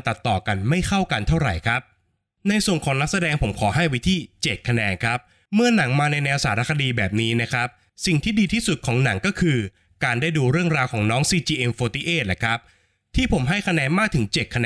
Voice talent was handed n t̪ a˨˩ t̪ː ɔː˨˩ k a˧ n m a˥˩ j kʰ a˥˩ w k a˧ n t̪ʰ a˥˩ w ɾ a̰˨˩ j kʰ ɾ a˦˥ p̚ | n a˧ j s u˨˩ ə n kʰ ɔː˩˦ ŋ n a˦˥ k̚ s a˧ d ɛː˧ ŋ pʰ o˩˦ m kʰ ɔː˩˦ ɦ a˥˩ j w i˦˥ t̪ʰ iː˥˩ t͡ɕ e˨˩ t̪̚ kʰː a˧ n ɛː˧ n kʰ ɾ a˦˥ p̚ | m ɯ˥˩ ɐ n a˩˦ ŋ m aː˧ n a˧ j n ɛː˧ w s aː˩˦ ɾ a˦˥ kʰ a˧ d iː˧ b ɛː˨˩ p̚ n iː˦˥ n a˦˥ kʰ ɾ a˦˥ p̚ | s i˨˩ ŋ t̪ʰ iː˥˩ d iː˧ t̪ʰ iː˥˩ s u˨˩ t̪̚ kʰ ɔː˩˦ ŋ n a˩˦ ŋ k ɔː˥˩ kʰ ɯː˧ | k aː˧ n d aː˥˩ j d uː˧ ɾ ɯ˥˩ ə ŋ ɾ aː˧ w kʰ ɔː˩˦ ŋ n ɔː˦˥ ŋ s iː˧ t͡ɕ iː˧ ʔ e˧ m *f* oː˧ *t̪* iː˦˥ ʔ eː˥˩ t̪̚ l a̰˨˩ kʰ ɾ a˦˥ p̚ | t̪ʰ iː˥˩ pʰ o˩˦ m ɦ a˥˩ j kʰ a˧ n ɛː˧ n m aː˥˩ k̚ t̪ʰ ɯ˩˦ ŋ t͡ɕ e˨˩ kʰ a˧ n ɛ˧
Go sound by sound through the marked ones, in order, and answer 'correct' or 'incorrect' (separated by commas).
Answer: correct, correct